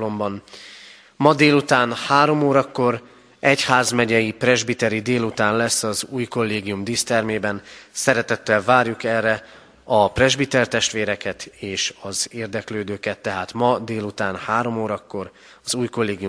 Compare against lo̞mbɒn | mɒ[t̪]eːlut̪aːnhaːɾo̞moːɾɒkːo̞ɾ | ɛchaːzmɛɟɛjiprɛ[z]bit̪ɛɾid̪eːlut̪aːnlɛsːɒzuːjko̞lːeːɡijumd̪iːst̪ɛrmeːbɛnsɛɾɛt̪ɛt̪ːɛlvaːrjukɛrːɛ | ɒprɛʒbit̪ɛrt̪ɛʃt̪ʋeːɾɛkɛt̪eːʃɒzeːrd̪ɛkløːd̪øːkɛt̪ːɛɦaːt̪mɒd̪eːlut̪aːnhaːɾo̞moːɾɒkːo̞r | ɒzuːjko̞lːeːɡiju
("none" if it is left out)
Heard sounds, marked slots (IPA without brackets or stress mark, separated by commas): d̪, ʒ